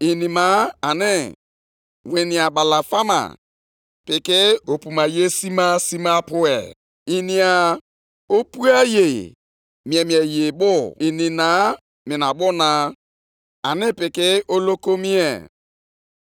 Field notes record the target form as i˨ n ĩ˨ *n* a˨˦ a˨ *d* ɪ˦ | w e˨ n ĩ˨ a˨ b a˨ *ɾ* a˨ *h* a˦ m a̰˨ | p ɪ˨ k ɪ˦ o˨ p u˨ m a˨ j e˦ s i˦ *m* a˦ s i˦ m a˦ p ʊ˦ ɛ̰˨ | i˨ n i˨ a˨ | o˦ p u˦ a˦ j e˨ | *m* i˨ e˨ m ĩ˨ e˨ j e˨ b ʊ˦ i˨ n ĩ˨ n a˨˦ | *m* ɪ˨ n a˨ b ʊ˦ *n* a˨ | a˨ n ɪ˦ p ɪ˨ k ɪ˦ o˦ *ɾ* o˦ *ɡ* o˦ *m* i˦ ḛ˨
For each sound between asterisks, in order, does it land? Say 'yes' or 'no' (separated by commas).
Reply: no, no, no, no, yes, yes, yes, yes, no, no, yes